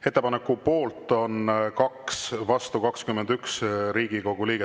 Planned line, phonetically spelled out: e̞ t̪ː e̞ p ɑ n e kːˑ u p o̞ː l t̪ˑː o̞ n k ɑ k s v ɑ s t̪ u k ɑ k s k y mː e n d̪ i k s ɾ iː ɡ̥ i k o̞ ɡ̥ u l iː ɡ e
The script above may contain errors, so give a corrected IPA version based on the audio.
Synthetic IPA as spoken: e̞ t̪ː e̞ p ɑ n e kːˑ u p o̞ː l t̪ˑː o̞ n k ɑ k s v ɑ s t̪ u k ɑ k s k y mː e n d̪ y k s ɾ iː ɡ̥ i k o̞ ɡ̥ u l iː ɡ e